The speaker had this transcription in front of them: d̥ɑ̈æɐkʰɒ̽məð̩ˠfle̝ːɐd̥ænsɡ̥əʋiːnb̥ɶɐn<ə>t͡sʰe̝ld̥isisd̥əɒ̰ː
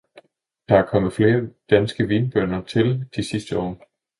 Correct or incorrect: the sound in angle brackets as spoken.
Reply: incorrect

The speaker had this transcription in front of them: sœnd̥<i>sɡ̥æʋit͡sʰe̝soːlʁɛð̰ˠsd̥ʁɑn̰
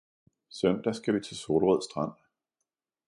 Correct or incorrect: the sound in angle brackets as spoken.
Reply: incorrect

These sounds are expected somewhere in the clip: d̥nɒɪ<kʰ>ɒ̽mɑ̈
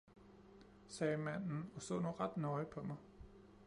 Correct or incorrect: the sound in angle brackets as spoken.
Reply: incorrect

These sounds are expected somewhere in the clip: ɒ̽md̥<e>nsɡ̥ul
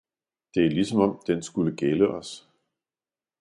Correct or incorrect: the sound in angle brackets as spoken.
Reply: correct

